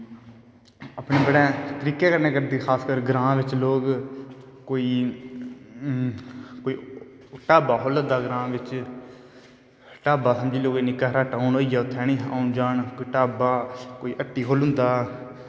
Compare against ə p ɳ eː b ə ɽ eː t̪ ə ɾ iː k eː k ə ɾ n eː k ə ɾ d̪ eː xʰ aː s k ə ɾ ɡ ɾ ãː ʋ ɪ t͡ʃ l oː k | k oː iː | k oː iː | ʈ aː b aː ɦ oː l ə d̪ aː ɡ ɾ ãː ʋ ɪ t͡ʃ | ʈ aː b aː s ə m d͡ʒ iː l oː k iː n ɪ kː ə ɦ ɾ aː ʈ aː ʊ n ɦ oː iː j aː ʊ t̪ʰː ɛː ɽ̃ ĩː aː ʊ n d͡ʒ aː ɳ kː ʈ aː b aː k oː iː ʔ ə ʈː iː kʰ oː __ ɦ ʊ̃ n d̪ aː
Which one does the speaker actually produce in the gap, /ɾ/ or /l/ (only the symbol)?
l